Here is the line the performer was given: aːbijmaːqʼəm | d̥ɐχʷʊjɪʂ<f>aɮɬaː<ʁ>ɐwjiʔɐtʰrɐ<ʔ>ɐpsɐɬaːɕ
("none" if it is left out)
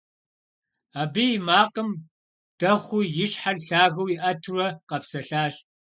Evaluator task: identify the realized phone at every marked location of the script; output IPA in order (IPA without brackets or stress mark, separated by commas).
ħ, ɣ, q